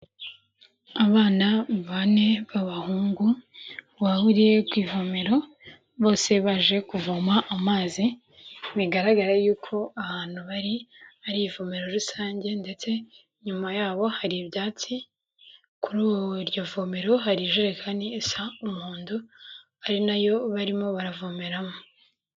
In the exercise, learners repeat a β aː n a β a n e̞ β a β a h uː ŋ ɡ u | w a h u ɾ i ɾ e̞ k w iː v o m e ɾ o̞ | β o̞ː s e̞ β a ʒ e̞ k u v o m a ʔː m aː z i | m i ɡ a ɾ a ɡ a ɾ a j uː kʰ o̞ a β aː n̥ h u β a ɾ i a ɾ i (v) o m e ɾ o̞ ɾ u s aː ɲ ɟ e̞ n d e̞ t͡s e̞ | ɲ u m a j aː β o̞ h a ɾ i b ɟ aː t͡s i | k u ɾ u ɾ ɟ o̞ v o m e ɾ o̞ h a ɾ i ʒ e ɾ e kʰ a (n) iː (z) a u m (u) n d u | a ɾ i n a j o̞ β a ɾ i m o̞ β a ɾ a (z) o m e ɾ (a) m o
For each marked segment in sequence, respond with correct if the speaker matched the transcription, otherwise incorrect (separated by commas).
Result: correct, correct, incorrect, incorrect, incorrect, correct